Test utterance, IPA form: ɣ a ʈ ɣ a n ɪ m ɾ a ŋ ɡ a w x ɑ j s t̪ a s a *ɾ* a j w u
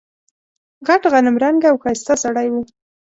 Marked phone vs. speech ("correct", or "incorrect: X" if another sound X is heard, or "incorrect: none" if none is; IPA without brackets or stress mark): incorrect: ɽ